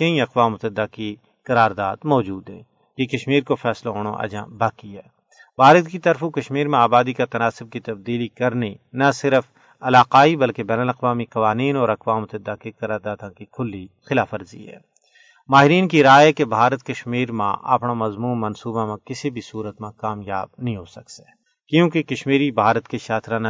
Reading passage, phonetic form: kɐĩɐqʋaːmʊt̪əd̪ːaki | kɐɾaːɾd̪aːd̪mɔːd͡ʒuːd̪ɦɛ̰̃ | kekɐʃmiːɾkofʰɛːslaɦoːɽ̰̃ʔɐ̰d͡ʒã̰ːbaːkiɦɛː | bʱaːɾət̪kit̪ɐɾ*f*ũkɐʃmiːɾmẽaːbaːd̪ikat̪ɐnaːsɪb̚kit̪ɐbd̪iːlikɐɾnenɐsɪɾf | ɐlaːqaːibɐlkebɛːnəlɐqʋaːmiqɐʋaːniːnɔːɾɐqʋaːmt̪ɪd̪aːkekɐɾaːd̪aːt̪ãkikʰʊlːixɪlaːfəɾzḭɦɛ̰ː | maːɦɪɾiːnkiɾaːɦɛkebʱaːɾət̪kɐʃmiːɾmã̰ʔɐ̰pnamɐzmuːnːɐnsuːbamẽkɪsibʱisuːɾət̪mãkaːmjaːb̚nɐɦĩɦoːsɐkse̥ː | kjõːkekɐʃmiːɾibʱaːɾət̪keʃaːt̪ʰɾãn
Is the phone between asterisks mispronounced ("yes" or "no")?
no